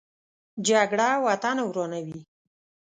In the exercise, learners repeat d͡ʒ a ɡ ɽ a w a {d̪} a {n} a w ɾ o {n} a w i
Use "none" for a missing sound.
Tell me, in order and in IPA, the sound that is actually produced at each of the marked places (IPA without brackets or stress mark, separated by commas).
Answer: t̪, n, n